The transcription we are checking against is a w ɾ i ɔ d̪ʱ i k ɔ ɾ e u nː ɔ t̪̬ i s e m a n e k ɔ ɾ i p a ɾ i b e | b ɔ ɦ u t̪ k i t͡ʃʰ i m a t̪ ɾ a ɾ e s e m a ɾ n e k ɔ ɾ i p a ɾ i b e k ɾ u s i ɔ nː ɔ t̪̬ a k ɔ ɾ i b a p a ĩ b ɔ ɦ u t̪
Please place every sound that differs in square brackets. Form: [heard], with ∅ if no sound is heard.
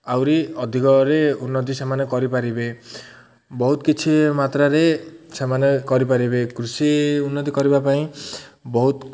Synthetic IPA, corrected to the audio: a w ɾ i ɔ d̪ʱ i k ɔ ɾ e u nː ɔ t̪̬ i s e m a n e k ɔ ɾ i p a ɾ i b e | b ɔ ɦ u t̪ k i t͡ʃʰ i m a t̪ ɾ a ɾ e s e m a [∅] n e k ɔ ɾ i p a ɾ i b e k ɾ u s i [u] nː ɔ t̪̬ [i] k ɔ ɾ i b a p a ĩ b ɔ ɦ u t̪